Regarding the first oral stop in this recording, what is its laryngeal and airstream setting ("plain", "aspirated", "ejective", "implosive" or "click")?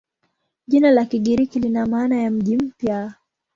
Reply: implosive